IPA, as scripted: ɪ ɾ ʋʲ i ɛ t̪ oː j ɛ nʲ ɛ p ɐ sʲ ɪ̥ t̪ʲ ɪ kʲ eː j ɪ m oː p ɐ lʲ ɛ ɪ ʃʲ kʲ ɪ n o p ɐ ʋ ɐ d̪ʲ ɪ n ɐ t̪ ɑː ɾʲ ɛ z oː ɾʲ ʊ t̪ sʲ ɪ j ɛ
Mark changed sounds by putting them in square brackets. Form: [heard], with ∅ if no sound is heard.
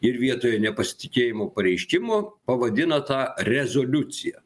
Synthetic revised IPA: ɪ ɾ ʋʲ i ɛ t̪ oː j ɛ nʲ ɛ p ɐ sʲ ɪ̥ t̪ʲ ɪ kʲ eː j ɪ m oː p ɐ [ɾʲ] ɛ ɪ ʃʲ kʲ ɪ [m] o p ɐ ʋ ɐ d̪ʲ ɪ n ɐ t̪ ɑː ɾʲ ɛ z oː [lʲ] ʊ t̪ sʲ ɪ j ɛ